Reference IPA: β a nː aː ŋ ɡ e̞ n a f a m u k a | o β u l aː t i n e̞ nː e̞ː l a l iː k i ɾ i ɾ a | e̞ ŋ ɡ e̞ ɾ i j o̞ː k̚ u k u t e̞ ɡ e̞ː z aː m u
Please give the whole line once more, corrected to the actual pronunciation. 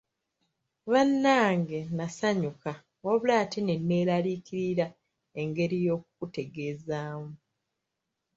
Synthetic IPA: β a nː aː ŋ ɡ e̞ n a s a ɲ u k a | o β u l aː t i n e̞ nː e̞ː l a l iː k i ɾ i ɾ a | e̞ ŋ ɡ e̞ ɾ i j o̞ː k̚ u k u t e̞ ɡ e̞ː z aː m u